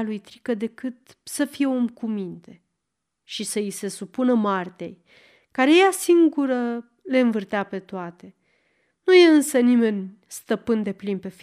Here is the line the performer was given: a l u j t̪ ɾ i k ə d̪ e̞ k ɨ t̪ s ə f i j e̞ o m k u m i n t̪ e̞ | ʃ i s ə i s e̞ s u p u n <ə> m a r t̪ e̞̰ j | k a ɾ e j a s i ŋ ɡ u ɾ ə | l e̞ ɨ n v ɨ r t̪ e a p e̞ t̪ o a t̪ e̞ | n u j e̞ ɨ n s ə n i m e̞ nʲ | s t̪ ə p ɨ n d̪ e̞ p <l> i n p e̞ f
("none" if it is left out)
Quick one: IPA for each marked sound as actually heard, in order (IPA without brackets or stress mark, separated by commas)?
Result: ə, l